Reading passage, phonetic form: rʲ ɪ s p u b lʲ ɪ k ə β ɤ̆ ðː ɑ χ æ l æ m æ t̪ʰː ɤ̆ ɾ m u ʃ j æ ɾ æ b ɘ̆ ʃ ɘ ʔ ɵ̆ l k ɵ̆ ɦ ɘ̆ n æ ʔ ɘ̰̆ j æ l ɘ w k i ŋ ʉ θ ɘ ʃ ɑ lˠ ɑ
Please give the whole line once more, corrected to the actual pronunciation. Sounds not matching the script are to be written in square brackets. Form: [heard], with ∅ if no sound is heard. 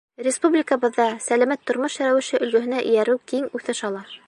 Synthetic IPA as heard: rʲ ɪ s p u b lʲ ɪ k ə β ɤ̆ ðː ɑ [s] æ l æ m æ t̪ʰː [ŏ] ɾ m [o] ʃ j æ ɾ æ [w] ɘ̆ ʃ ɘ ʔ ɵ̆ l [ɡ] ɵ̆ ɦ ɘ̆ n æ ʔ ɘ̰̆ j æ [ɾ] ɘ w k i ŋ ʉ θ ɘ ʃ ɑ lˠ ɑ